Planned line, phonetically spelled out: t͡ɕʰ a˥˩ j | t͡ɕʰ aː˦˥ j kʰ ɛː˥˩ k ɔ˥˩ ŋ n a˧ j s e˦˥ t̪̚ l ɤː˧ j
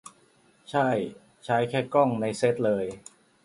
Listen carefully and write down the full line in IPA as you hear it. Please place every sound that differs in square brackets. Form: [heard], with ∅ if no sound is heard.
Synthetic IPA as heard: t͡ɕʰ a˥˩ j | t͡ɕʰ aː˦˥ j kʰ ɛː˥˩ k ɔ˥˩ ŋ n a˧ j s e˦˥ t̪̚ l ɤː˧ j